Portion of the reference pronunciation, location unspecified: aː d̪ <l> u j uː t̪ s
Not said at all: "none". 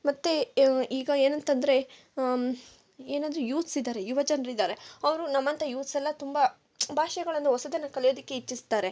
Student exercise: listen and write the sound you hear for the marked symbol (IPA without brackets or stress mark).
ɾ